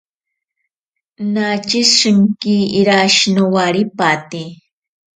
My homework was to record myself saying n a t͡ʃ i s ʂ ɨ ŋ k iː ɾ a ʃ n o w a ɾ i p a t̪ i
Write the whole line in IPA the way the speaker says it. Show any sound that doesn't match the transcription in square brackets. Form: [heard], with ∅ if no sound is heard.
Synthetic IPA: n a t͡ʃ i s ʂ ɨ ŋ k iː ɾ a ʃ n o w a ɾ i p a t̪ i